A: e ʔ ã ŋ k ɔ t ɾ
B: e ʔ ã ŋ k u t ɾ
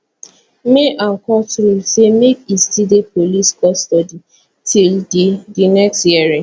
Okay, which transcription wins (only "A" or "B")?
A